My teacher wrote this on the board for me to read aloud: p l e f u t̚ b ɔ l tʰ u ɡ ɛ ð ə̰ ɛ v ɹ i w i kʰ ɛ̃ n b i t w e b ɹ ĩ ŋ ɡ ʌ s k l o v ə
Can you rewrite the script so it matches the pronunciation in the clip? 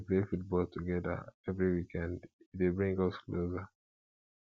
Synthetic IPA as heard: p l e f u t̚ b ɔ l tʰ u ɡ ɛ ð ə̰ ɛ v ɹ i w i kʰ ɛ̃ n d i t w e b ɹ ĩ ŋ ɡ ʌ s k l o z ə